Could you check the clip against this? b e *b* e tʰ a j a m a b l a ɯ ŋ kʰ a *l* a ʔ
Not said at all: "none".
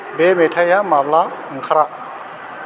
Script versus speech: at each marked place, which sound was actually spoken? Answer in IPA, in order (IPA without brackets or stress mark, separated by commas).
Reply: m, ɾ